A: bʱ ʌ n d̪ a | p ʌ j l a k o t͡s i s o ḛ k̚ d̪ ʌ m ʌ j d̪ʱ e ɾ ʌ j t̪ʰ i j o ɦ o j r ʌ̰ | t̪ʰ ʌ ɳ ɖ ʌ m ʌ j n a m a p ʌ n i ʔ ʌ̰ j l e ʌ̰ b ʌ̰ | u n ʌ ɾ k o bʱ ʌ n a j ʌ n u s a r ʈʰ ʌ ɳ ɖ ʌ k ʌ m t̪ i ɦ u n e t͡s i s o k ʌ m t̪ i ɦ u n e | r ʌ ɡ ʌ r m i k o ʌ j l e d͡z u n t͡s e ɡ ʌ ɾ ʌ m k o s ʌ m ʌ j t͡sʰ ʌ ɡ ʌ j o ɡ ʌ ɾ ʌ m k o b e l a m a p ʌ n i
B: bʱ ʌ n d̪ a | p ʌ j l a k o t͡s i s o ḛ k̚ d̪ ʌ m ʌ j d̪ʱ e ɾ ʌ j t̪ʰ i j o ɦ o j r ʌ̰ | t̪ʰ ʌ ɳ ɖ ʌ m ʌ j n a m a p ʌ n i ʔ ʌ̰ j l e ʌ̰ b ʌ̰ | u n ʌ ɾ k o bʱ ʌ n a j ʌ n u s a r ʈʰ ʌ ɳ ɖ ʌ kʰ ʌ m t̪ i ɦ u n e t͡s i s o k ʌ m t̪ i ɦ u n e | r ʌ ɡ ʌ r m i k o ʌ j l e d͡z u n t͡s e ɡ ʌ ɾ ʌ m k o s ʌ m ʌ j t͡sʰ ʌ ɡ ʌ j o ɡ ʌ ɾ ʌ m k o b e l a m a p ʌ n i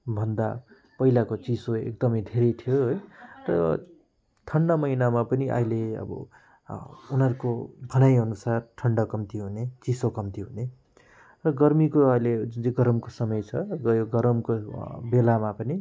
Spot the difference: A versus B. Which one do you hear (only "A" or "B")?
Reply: A